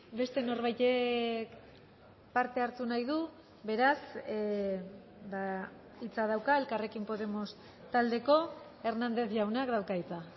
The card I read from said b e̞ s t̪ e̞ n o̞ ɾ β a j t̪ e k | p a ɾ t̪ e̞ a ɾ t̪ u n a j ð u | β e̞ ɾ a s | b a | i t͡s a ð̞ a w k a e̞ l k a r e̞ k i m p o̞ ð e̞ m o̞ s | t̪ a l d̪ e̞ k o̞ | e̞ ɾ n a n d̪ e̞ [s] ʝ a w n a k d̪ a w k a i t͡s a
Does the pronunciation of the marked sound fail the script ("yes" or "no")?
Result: yes